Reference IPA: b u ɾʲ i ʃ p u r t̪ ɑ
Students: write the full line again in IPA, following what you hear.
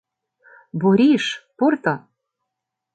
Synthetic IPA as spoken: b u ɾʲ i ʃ p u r t̪ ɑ